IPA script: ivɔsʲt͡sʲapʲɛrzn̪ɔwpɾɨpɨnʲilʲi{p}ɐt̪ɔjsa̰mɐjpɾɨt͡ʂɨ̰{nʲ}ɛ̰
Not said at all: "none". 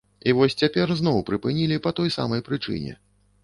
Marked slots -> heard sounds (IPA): p, nʲ

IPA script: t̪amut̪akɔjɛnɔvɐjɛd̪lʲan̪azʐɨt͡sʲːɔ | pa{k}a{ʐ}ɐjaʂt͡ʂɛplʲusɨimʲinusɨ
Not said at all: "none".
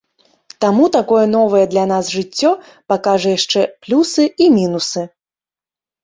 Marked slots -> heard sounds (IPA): k, ʐ

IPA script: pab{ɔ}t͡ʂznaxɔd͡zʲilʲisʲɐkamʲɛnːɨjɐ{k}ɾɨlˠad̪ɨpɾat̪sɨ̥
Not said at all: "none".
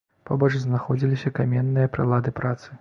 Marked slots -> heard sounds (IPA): ɔ, p

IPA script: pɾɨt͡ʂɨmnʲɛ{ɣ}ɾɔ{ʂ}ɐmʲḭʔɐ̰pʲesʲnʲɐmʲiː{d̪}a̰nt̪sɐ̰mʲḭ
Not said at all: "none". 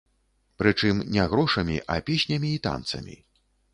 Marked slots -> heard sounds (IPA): ɣ, ʂ, t̪

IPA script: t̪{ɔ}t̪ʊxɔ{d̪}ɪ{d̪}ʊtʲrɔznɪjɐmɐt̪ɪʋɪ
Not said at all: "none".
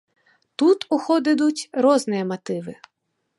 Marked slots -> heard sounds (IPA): u, d̪, d̪

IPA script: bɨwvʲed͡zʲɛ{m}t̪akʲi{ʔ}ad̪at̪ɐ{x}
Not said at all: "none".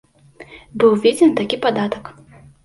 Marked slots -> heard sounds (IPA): n, p, k

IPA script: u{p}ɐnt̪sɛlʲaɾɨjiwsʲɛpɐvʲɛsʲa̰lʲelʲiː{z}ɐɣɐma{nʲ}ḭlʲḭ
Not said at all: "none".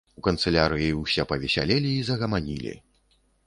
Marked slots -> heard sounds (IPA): k, z, nʲ

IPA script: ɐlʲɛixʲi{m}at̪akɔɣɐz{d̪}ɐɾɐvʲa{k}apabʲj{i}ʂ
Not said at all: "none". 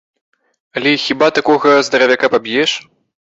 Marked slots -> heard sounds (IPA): b, d̪, k, ɛ

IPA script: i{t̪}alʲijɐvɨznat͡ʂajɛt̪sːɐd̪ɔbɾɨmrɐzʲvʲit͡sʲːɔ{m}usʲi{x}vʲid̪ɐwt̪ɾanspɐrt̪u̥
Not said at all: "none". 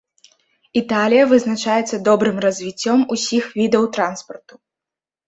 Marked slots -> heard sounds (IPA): t̪, m, x

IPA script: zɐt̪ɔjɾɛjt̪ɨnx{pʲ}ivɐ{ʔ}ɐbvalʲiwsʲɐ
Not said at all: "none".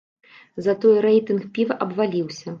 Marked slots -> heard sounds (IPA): pʲ, ʔ

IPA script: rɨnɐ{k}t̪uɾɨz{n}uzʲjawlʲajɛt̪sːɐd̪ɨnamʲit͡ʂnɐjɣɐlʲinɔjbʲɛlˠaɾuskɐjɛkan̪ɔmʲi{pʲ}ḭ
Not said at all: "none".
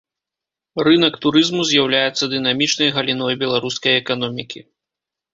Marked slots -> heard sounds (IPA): k, m, kʲ

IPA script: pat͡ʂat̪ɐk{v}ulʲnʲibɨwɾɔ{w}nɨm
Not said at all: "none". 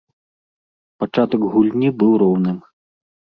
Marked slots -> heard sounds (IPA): ɣ, w

